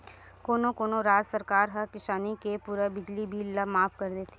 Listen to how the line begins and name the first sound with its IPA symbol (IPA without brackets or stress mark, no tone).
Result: k